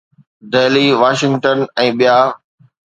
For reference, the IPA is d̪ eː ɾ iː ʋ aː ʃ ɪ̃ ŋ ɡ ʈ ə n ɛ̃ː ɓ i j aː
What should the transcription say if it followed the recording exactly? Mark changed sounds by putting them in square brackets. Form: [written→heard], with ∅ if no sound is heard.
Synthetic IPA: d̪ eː [ɾ→l] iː ʋ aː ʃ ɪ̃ ŋ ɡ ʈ ə n ɛ̃ː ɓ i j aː

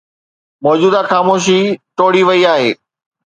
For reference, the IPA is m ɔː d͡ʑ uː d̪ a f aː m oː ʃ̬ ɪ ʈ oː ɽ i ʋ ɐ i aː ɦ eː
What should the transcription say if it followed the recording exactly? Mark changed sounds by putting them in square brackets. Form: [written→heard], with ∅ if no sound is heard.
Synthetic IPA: m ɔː d͡ʑ uː d̪ a [f→x] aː m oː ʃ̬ [ɪ→i] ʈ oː ɽ i ʋ ɐ i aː ɦ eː

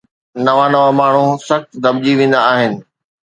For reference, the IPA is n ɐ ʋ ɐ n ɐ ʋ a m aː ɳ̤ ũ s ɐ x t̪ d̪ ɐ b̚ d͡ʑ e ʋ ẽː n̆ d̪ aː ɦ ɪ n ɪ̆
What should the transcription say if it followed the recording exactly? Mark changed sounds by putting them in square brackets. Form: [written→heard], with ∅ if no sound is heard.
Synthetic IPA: n ɐ ʋ [ɐ→a] n ɐ ʋ a m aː ɳ̤ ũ s ɐ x t̪ d̪ ɐ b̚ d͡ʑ [e→i] ʋ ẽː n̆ d̪ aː ɦ ɪ n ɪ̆

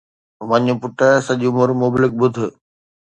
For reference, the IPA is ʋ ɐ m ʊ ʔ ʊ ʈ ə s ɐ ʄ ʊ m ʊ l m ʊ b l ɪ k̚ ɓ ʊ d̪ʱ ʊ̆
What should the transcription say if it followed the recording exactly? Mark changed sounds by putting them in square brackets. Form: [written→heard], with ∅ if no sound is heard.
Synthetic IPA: ʋ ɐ [m→ɲ] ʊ [ʔ→p] ʊ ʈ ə s ɐ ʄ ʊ m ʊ [l→ɾ] m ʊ b l ɪ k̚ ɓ ʊ d̪ʱ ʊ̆

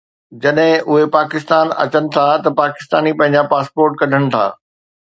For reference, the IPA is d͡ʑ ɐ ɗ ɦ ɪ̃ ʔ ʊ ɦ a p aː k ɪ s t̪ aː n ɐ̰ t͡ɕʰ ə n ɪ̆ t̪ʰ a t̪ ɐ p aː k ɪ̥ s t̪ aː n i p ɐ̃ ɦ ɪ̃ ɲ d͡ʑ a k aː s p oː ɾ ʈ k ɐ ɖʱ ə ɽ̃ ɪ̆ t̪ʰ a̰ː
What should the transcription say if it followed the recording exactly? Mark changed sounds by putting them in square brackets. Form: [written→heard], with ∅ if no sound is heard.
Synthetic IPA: d͡ʑ ɐ ɗ ɦ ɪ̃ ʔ ʊ ɦ [a→e] p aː k ɪ s t̪ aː n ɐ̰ [t͡ɕʰ→t͡ɕ] ə n ɪ̆ t̪ʰ a t̪ ɐ p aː k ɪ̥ s t̪ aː n i p ɐ̃ ɦ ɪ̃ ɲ d͡ʑ a [k→p] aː s p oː ɾ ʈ k ɐ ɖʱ ə ɽ̃ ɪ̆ t̪ʰ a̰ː

